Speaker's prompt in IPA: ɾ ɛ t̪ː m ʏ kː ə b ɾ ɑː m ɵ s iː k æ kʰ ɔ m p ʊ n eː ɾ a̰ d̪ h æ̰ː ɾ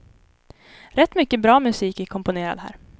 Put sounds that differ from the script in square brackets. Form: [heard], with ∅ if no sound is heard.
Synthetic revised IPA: ɾ ɛ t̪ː m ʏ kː ə b ɾ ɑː m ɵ s iː k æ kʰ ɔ m p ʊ n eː ɾ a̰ d̪ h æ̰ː ɾ